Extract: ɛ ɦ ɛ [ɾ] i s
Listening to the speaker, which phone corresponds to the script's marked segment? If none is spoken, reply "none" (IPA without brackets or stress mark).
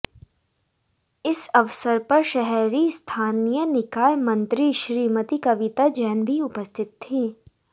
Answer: ɾ